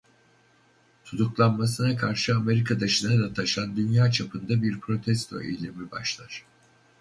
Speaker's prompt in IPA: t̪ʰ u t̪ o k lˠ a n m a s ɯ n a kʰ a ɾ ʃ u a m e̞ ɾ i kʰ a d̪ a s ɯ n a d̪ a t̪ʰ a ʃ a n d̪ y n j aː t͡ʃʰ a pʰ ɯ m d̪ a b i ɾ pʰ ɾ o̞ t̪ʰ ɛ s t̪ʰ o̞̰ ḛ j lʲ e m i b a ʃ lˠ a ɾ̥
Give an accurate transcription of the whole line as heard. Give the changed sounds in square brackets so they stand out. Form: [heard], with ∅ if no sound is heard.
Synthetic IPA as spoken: t̪ʰ u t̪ [u] k lˠ a n m a s ɯ n a kʰ a ɾ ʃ [ɯ] a m e̞ ɾ i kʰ a d̪ a [ʃ] ɯ n a d̪ a t̪ʰ a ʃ a n d̪ y n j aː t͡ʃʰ a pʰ ɯ [n] d̪ a b i ɾ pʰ ɾ o̞ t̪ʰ ɛ s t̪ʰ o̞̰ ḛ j lʲ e m i b a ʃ lˠ a ɾ̥